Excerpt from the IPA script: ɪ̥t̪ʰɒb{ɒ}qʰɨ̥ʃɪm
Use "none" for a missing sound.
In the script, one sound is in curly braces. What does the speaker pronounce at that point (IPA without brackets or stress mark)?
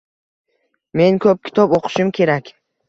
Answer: o